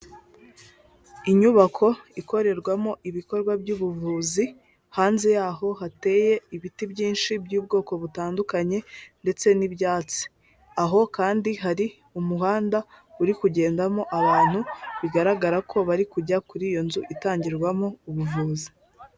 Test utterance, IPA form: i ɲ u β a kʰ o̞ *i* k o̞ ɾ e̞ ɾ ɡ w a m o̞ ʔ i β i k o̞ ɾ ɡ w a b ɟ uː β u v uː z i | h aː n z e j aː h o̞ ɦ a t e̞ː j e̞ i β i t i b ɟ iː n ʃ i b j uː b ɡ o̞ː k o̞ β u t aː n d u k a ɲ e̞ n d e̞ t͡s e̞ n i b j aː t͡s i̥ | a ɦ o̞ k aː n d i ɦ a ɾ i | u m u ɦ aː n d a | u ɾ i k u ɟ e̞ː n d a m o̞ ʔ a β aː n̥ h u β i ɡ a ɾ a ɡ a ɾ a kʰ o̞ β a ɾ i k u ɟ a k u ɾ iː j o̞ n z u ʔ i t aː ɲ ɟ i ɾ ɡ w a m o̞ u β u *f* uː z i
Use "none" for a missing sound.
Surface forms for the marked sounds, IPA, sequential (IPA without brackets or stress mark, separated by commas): i, v